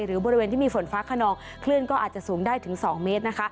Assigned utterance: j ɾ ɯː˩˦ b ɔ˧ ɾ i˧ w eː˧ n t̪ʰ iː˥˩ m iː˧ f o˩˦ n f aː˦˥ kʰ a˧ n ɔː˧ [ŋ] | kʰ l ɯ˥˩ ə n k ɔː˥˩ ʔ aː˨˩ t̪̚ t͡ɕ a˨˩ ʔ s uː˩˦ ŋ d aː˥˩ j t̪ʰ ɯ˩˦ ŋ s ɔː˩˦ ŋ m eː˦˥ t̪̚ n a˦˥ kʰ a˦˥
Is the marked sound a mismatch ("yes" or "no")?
no